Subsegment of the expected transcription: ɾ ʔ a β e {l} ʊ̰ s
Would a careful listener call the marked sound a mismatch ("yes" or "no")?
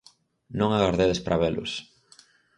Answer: no